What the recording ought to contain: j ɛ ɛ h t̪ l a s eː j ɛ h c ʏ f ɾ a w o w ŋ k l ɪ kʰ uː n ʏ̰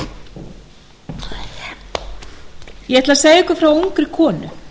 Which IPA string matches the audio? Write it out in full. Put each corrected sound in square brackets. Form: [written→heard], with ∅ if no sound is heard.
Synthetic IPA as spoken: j ɛ ɛ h t̪ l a s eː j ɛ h [c→k] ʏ f ɾ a w o w ŋ k [l→ɾ] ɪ kʰ [uː→ɔː] n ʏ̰